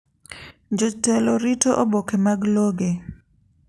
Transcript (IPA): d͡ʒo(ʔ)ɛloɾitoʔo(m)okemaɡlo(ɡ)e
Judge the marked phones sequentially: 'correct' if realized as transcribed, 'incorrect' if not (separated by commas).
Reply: incorrect, incorrect, correct